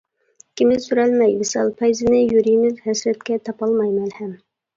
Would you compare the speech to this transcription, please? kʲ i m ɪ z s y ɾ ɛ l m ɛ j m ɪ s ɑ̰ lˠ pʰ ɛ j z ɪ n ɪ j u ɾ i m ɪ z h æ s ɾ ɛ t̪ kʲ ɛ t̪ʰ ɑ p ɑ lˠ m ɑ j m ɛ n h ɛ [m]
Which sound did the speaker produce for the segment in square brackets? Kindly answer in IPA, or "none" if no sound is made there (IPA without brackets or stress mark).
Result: m